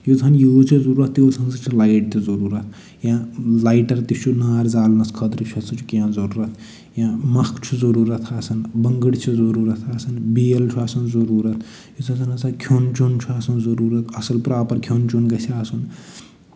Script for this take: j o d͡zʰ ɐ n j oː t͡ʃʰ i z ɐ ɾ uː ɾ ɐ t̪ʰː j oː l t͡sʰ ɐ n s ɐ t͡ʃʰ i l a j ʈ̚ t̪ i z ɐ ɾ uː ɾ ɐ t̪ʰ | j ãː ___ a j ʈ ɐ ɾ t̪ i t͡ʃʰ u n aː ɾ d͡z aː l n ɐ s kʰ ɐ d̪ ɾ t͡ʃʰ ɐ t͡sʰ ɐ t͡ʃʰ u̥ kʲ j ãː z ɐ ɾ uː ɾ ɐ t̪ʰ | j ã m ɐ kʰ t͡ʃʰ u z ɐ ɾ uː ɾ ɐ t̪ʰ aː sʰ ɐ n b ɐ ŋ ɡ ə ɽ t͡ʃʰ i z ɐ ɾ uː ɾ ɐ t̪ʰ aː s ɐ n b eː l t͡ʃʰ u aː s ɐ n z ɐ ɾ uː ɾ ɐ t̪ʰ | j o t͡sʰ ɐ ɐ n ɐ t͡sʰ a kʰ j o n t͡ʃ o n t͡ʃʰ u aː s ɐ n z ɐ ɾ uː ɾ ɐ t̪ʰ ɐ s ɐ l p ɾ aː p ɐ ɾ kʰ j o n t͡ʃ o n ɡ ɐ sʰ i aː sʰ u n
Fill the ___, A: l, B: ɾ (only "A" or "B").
A